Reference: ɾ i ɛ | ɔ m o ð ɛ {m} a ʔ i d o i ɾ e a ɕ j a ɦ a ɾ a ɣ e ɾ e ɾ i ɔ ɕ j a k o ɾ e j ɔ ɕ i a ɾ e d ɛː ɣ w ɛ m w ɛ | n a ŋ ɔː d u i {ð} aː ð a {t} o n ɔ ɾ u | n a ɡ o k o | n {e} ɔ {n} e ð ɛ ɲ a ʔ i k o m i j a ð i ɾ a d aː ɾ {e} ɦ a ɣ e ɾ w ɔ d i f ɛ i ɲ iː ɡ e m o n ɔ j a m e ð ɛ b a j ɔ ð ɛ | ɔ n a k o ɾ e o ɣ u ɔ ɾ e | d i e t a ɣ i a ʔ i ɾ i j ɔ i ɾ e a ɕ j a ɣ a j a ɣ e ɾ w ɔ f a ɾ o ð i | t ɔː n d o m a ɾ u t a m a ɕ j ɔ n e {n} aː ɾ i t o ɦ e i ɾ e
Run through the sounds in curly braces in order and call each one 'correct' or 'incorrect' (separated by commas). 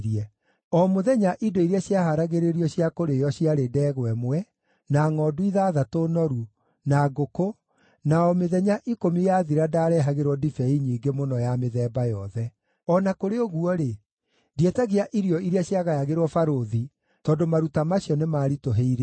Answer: incorrect, correct, correct, incorrect, incorrect, incorrect, incorrect